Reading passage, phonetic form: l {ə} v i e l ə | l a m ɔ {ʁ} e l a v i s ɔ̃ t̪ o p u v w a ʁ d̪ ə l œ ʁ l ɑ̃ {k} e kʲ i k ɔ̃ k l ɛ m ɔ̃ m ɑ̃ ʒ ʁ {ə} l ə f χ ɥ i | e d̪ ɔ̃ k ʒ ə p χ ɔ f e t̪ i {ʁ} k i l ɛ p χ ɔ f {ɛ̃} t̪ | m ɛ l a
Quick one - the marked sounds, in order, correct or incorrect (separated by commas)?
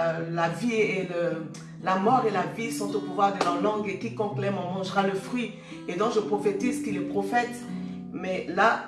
incorrect, correct, incorrect, incorrect, incorrect, incorrect